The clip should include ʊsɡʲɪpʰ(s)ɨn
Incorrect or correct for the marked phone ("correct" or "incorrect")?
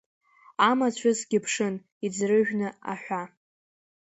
incorrect